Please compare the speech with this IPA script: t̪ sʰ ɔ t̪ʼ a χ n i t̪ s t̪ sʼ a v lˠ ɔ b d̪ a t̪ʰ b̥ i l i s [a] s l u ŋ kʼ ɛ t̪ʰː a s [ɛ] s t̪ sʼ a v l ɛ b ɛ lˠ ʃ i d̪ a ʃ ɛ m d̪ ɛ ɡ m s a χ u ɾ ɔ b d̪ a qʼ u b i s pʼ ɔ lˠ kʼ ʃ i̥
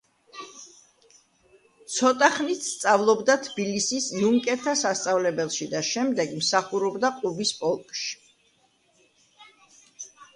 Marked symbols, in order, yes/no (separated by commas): no, no